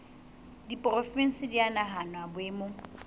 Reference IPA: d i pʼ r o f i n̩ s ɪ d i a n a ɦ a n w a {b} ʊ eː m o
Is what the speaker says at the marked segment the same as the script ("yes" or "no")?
yes